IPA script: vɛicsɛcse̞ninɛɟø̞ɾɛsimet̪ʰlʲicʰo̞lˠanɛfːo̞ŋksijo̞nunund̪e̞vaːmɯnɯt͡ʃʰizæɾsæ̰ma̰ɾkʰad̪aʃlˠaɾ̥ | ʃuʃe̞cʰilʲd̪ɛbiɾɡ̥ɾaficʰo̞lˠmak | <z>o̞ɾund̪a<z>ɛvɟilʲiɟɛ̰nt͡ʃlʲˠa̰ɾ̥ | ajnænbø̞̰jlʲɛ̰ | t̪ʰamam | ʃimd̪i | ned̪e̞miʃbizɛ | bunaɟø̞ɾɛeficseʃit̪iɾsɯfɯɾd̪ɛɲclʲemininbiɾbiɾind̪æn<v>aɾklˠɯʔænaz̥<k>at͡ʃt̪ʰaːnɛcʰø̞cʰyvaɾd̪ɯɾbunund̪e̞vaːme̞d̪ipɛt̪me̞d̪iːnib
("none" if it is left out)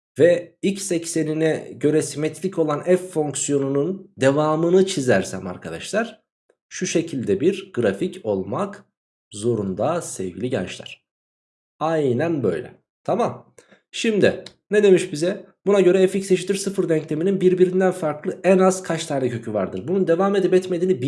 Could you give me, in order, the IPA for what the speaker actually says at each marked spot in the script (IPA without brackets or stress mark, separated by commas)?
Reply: z, s, f, kʰ